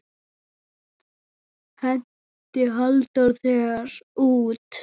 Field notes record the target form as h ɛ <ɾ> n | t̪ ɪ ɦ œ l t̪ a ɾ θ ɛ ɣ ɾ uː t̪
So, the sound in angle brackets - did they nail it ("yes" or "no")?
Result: no